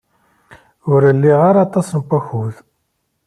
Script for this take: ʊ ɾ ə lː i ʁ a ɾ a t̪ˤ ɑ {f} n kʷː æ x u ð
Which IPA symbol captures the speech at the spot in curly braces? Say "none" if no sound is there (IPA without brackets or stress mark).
s